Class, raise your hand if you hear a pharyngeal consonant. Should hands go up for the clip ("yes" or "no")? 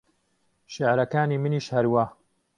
yes